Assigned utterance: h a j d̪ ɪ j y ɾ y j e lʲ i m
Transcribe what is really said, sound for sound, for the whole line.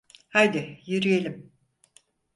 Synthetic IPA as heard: h a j d̪ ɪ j y ɾ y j e lʲ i m